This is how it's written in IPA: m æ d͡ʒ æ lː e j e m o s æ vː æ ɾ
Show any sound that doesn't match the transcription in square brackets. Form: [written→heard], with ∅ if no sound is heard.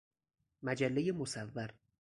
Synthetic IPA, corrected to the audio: m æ d͡ʒ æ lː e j e m o s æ vː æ ɾ